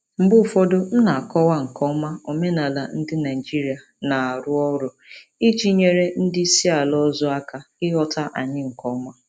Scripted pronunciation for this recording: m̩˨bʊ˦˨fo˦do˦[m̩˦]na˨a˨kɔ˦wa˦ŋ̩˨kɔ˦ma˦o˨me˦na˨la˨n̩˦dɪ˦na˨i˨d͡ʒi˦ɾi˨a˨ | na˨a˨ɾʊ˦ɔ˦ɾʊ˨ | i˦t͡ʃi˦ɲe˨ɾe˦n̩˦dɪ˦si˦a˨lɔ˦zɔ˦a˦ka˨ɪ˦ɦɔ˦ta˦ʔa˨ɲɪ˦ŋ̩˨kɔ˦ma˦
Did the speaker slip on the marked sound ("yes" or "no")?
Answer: yes